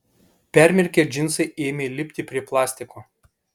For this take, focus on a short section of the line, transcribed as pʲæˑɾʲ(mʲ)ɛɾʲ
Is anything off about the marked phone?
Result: no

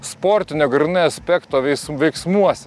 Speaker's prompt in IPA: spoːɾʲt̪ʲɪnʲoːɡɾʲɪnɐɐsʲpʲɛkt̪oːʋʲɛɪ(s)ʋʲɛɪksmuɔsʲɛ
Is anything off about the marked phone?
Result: no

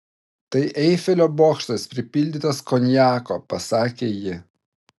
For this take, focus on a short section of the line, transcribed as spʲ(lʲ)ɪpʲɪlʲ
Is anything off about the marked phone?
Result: yes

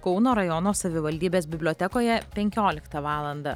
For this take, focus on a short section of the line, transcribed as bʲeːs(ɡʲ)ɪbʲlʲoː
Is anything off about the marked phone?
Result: yes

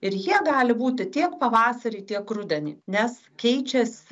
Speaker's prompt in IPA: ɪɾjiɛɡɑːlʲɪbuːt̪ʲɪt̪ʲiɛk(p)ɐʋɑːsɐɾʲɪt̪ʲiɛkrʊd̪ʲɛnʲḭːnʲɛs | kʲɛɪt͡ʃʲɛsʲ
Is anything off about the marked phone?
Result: no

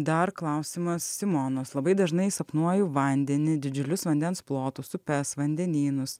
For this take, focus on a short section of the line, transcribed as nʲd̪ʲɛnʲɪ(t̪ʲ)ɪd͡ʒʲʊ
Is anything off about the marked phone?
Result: yes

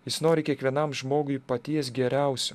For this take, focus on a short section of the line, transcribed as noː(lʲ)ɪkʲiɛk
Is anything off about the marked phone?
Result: yes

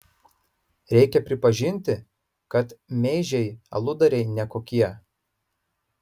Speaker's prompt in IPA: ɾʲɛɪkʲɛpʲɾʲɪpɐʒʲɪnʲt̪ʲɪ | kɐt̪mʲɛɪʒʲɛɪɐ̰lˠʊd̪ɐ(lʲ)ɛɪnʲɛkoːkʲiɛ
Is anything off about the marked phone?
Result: yes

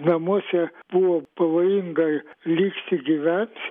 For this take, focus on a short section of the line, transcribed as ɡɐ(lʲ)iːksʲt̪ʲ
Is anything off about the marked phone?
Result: no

